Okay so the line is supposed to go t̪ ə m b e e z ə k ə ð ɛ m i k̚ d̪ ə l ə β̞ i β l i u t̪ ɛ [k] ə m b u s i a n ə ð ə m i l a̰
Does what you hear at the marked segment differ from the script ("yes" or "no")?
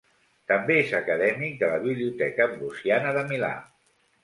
no